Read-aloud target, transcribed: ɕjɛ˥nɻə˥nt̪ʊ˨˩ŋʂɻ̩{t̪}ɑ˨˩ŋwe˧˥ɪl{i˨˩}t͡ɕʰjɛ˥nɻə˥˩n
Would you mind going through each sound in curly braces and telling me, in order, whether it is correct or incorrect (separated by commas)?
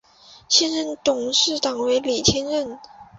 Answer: correct, correct